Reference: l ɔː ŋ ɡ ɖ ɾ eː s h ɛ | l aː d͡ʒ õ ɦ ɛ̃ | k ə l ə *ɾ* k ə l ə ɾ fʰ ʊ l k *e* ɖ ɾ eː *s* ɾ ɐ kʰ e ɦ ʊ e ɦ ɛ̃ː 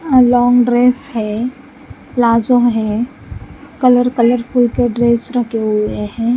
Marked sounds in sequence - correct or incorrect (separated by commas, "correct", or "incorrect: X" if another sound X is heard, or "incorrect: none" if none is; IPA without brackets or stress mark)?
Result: correct, correct, correct